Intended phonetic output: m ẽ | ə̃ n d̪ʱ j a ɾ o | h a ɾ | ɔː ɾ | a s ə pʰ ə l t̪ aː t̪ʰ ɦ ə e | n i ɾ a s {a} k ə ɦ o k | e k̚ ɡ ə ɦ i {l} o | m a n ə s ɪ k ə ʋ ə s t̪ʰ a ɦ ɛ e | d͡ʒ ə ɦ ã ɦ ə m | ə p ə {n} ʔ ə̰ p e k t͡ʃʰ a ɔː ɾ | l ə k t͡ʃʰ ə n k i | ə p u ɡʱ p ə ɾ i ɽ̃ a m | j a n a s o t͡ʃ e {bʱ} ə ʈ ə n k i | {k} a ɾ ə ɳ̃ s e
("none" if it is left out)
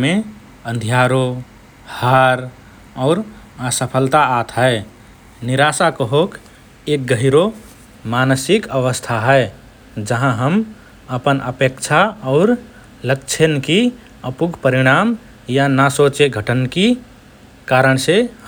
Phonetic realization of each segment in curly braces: a, ɾ, n, ɡʱ, k

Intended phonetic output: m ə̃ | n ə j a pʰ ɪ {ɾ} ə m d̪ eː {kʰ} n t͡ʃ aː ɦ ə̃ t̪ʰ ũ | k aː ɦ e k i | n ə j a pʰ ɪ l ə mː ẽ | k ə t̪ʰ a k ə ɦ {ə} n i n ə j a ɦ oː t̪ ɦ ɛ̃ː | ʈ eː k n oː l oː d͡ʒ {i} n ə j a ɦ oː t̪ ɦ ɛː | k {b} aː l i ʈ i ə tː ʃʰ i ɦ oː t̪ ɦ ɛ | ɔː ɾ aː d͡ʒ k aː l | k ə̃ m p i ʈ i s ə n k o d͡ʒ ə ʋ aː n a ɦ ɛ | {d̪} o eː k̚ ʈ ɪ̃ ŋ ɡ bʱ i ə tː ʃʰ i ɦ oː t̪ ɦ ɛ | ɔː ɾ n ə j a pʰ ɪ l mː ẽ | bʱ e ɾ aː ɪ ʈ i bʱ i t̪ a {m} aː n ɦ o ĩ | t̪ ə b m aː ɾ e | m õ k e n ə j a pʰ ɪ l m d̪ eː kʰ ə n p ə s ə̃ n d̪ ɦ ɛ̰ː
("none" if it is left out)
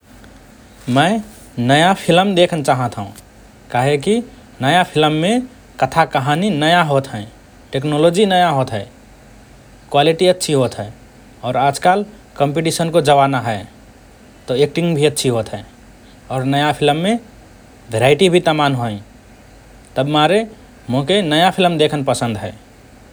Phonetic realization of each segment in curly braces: l, kʰ, a, i, w, t̪, m

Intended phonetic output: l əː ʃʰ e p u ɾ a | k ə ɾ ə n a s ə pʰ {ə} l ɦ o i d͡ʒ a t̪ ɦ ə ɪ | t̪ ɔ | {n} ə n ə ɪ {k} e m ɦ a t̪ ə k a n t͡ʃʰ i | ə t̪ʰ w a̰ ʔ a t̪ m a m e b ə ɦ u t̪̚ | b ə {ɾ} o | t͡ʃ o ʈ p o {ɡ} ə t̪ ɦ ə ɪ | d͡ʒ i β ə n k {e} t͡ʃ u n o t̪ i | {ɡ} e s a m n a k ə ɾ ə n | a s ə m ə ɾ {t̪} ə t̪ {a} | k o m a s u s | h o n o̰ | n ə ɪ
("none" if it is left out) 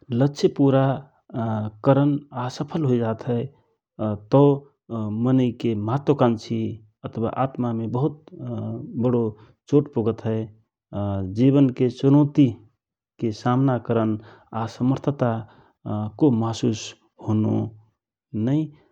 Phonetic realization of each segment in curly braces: ə, m, k, ɽ, ɡ, e, k, t̪ʰ, a

